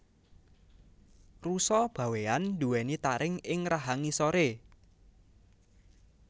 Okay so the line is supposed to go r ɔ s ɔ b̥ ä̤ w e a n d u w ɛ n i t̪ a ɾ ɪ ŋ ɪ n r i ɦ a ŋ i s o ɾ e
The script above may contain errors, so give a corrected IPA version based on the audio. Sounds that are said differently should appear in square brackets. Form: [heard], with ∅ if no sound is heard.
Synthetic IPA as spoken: r [u] s ɔ b̥ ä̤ w e a n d u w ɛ n i t̪ a ɾ ɪ ŋ ɪ [ŋ] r [a] ɦ a ŋ i s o ɾ e